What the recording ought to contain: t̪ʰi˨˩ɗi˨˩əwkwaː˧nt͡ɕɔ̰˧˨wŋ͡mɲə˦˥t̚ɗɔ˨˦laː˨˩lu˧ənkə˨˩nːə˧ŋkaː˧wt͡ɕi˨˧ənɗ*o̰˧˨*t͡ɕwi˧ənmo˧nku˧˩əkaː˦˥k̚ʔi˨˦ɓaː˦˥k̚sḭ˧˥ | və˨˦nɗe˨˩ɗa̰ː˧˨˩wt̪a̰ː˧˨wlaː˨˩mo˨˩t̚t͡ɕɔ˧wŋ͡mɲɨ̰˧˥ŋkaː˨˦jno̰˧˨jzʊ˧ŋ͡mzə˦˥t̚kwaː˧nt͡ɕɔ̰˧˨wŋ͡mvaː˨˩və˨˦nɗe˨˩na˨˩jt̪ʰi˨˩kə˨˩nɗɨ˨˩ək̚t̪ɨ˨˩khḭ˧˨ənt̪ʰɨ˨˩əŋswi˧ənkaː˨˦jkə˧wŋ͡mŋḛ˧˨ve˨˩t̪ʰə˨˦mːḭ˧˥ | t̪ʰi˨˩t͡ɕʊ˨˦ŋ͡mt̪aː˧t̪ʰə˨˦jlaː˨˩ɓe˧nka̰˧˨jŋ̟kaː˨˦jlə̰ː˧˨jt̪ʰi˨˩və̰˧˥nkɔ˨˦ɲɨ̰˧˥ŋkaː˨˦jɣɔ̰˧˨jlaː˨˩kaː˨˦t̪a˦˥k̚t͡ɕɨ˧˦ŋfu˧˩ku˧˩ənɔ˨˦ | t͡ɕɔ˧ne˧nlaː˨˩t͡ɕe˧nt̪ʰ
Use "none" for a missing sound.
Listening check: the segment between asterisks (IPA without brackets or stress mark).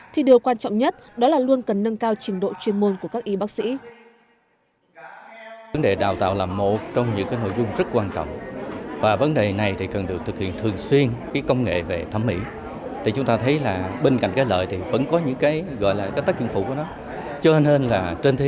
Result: o̰˧˨